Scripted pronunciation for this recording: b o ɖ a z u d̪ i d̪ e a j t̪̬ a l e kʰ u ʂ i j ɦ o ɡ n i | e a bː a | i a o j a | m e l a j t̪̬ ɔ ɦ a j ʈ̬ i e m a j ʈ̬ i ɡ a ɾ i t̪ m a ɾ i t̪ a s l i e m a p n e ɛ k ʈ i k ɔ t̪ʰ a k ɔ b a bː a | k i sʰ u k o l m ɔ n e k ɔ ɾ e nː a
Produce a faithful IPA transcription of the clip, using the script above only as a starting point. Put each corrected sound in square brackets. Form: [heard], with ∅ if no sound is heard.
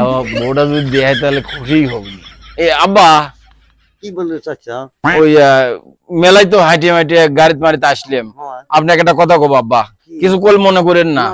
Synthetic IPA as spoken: b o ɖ a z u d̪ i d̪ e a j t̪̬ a l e kʰ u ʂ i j ɦ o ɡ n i | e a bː a | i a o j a | m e l a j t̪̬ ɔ ɦ a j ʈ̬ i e m a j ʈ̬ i ɡ a ɾ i t̪ m a ɾ i t̪ a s l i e m a p n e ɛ k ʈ [a] k ɔ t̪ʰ a k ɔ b a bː a | k i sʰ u k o l m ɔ n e k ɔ ɾ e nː a